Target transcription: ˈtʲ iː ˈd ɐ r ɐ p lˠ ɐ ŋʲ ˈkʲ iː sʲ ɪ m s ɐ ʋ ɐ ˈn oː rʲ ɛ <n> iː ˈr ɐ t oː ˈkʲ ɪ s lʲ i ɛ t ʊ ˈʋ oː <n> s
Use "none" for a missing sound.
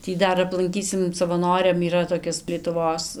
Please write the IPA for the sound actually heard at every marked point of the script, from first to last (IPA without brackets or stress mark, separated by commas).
m, none